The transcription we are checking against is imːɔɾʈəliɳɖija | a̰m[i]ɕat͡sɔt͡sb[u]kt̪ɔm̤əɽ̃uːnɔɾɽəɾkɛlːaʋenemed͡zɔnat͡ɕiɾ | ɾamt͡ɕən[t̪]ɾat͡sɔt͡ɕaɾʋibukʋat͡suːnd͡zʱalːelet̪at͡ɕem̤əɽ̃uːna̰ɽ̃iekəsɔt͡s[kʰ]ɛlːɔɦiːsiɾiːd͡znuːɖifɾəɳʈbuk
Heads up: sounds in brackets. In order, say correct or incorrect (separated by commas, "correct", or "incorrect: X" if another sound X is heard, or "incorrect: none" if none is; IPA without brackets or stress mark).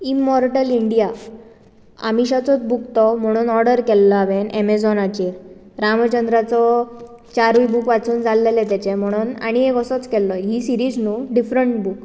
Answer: correct, correct, incorrect: d̪, incorrect: k